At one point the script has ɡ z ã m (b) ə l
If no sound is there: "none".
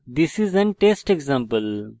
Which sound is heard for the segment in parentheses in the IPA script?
p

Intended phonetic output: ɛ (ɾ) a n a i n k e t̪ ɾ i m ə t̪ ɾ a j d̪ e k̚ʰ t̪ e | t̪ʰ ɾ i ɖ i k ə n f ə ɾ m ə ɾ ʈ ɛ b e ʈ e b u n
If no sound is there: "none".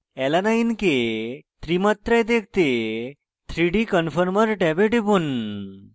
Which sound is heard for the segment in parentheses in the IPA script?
l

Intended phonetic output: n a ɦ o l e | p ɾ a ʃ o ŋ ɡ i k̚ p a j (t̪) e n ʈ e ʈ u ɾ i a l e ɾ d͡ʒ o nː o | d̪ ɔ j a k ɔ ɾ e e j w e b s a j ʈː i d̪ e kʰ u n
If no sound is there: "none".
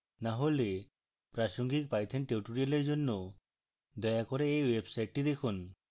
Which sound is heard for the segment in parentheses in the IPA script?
t̪ʰ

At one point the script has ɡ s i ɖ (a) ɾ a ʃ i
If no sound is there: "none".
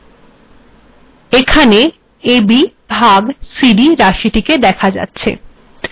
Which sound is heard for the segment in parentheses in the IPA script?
i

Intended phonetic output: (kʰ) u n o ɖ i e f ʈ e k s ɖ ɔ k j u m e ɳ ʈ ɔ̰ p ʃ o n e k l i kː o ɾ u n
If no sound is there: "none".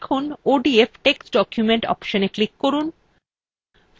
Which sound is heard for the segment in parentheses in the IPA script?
kʰ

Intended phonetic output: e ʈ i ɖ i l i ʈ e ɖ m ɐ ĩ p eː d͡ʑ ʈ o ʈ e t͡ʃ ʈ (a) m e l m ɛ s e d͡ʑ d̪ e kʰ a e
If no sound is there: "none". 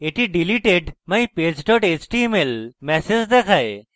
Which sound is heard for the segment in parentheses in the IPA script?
i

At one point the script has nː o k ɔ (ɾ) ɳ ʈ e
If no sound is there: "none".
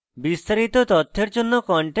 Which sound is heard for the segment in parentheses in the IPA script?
none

